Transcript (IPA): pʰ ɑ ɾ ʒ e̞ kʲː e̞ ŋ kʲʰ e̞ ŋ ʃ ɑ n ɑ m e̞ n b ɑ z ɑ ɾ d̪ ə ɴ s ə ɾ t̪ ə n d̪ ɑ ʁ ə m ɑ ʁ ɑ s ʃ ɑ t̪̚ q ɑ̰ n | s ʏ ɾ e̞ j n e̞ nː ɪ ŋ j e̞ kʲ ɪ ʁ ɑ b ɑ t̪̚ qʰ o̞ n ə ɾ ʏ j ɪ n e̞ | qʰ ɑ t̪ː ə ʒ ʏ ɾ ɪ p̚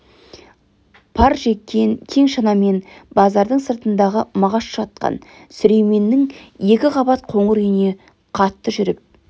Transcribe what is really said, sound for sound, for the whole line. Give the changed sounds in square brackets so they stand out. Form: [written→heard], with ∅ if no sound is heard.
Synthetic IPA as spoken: pʰ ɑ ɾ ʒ e̞ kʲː e̞ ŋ kʲʰ e̞ ŋ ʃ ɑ n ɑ m e̞ n b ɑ z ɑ ɾ d̪ ə ɴ s ə ɾ t̪ ə n d̪ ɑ ʁ ə m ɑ ʁ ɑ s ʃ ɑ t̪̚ q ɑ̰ n | s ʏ ɾ e̞ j [n→m] e̞ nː ɪ ŋ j e̞ kʲ ɪ ʁ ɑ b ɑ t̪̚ qʰ o̞ [n→ɴ] ə ɾ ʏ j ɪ n e̞ | qʰ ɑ t̪ː ə ʒ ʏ ɾ ɪ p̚